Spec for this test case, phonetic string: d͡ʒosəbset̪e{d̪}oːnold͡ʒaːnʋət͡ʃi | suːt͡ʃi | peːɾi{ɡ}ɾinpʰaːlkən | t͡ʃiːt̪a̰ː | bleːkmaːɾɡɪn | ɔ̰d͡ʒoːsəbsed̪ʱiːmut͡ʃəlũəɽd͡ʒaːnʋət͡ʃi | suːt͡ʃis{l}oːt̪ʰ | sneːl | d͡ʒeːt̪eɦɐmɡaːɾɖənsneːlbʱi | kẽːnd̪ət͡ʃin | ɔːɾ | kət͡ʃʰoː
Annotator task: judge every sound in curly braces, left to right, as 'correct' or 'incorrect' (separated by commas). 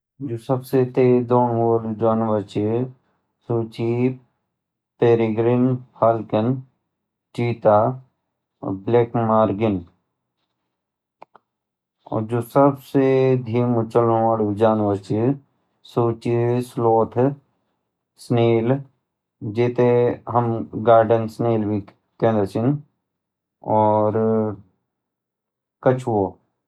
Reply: correct, correct, correct